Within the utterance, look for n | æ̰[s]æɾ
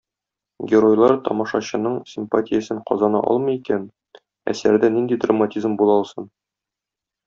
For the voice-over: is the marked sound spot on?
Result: yes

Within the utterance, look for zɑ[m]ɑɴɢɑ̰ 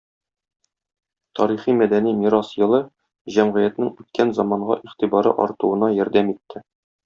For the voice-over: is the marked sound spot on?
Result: yes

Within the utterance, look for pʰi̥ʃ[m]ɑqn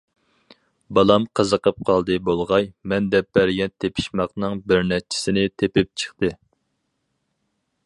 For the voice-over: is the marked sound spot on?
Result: yes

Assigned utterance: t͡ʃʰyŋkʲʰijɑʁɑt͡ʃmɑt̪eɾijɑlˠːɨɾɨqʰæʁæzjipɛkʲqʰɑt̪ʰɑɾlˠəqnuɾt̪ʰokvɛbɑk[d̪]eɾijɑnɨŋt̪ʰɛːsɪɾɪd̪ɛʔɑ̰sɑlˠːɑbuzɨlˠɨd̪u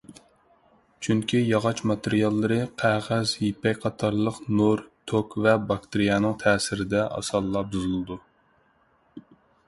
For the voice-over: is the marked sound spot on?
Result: no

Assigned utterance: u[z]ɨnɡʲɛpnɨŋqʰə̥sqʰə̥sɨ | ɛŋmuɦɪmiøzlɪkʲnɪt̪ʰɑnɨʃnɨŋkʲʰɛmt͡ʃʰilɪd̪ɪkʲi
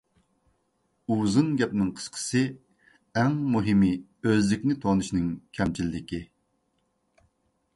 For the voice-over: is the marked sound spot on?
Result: yes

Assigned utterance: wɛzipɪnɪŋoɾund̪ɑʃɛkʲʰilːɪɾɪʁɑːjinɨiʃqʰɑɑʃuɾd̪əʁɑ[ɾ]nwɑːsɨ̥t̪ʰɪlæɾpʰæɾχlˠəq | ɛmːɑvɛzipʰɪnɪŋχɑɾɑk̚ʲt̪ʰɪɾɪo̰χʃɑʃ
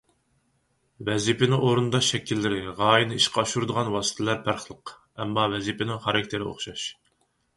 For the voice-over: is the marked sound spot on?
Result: no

